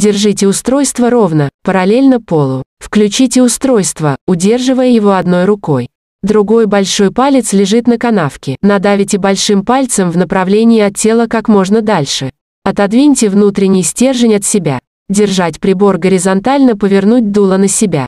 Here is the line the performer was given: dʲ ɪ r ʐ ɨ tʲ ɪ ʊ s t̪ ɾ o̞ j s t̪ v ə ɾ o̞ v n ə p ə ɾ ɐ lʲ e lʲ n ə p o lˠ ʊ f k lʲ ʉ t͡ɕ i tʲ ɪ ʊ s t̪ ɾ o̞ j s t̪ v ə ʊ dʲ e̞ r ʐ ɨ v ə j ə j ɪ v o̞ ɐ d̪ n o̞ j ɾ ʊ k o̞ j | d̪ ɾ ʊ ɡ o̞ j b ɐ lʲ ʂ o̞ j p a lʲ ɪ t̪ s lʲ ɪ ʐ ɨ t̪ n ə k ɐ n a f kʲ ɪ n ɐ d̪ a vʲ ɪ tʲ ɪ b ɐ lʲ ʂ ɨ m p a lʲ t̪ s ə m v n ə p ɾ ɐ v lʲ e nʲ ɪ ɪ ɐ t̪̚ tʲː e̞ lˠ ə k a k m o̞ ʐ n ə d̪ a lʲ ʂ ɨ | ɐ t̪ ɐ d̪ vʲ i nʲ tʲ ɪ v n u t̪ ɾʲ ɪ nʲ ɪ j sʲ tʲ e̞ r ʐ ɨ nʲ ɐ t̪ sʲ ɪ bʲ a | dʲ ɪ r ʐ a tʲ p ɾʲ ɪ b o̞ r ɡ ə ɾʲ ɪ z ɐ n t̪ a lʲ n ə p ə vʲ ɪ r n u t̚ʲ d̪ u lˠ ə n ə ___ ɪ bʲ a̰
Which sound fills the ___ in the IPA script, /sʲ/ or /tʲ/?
sʲ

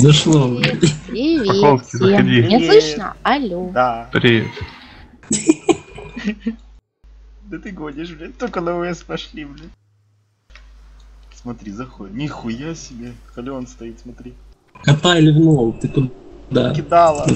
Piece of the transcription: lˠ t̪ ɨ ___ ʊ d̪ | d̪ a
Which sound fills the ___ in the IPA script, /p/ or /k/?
k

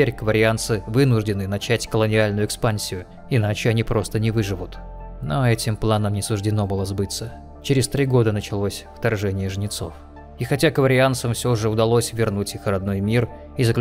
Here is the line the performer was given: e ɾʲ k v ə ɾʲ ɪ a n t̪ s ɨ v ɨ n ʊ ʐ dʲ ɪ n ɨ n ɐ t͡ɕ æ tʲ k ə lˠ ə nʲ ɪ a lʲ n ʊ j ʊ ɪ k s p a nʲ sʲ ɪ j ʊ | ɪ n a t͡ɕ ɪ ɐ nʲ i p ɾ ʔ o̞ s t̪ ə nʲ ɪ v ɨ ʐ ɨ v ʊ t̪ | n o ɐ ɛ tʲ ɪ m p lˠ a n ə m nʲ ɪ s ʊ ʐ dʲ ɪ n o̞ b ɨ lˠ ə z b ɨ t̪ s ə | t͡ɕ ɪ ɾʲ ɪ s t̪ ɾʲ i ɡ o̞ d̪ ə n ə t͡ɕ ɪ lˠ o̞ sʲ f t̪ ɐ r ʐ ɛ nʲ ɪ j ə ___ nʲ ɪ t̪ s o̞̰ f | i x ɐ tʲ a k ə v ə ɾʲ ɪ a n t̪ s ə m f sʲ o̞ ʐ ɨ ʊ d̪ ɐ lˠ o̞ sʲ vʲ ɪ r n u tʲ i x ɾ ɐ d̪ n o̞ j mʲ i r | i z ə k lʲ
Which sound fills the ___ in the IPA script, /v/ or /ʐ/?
ʐ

